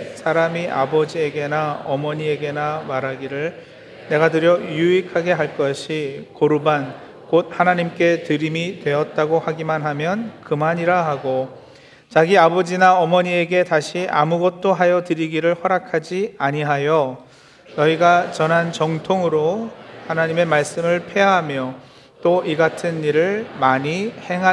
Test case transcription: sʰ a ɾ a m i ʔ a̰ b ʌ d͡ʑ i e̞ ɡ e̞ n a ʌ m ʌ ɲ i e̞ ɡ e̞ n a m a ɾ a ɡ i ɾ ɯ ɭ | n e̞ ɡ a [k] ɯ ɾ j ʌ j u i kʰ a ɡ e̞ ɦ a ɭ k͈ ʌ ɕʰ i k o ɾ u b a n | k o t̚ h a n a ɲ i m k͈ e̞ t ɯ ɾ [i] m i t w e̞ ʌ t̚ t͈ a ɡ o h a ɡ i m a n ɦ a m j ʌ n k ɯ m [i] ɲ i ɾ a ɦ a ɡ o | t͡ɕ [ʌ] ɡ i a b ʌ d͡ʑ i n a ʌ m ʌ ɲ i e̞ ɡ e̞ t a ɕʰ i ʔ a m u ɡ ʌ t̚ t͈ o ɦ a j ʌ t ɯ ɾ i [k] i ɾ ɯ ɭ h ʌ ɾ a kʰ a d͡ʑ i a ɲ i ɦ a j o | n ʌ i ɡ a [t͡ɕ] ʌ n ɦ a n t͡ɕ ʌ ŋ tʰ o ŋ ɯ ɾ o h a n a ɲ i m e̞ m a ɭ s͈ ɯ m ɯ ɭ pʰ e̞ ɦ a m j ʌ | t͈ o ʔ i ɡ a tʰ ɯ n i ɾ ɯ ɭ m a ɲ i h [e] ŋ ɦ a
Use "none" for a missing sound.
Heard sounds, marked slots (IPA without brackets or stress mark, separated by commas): t, i, a, a, ɡ, t͡ɕ, e